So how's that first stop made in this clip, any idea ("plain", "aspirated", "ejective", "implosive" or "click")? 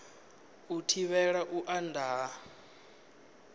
aspirated